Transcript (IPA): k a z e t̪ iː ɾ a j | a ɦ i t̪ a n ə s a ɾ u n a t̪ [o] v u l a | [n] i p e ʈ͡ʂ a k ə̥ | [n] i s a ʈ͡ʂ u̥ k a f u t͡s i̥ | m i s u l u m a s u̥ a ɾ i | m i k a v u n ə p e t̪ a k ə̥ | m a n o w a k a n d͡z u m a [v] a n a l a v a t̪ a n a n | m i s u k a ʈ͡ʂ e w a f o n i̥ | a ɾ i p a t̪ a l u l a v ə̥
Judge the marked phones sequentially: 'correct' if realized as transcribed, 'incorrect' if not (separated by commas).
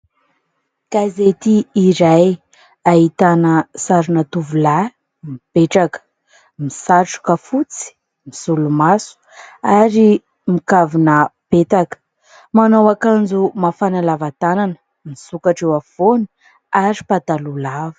incorrect, incorrect, incorrect, incorrect